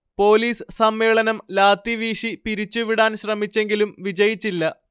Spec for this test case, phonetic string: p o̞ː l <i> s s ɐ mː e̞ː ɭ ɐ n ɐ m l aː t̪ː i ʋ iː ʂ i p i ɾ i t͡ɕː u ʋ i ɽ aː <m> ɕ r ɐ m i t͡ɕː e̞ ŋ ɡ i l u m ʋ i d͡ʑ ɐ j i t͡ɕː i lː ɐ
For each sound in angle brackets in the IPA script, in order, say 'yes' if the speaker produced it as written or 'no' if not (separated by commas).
no, no